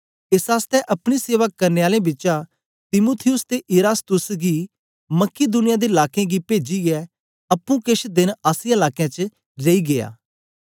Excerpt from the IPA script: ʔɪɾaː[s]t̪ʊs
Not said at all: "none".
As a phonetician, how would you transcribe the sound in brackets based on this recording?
s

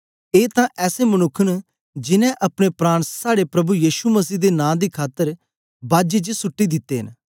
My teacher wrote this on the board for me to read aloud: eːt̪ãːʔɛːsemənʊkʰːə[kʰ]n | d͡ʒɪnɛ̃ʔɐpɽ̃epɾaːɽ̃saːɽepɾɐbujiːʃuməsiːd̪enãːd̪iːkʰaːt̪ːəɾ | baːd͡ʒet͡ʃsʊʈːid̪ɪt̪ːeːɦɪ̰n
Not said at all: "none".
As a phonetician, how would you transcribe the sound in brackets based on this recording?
none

